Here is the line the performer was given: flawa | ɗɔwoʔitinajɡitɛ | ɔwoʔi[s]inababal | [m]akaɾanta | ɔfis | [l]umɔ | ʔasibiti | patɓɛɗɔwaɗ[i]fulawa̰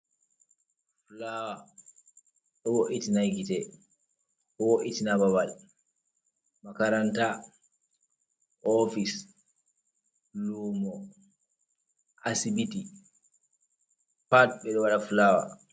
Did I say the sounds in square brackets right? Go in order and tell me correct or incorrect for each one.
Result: incorrect, correct, correct, incorrect

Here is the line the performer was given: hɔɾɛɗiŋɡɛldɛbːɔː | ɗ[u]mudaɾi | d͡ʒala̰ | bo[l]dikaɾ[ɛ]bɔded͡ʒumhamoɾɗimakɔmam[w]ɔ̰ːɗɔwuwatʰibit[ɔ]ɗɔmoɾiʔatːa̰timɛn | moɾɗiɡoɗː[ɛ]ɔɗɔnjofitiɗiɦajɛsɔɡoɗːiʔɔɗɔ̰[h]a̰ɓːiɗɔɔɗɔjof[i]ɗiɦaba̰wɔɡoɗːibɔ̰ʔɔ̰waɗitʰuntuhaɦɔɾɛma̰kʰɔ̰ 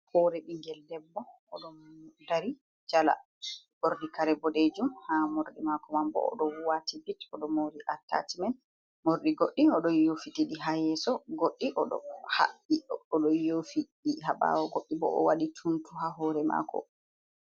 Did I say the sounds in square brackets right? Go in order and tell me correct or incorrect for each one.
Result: incorrect, incorrect, correct, incorrect, correct, incorrect, correct, correct

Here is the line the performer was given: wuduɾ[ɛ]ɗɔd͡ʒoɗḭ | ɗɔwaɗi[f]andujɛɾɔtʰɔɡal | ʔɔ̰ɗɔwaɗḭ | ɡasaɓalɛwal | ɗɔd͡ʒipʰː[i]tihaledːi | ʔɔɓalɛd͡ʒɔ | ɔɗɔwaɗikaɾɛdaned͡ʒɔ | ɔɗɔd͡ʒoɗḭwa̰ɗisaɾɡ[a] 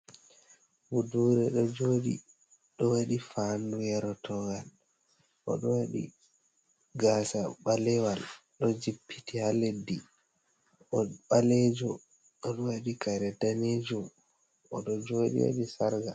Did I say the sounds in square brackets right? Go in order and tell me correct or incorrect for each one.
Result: correct, correct, correct, correct

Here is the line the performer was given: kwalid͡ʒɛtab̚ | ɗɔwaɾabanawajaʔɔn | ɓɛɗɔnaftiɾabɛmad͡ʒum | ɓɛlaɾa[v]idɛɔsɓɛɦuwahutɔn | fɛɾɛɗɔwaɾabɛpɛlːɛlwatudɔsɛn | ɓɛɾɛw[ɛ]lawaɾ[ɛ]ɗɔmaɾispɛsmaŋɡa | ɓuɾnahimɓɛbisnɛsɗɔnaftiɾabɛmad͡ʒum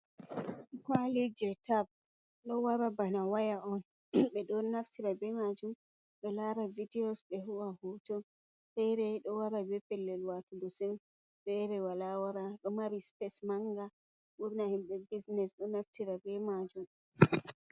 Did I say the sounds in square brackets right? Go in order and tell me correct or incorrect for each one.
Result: correct, incorrect, incorrect

